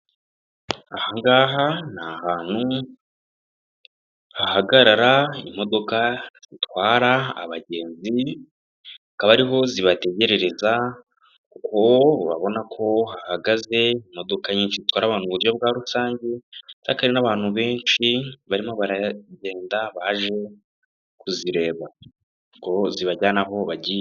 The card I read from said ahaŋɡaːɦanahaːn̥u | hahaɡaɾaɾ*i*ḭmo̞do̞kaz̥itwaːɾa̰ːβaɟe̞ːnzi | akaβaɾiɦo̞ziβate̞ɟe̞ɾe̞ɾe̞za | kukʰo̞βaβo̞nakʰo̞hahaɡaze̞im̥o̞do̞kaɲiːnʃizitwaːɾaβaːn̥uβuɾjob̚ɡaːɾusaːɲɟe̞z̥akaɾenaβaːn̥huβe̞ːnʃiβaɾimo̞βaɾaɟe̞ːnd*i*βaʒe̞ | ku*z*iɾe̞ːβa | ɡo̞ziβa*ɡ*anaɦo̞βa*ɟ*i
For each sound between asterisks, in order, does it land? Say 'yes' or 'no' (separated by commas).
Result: no, no, yes, no, yes